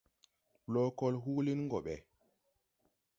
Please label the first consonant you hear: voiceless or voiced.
voiced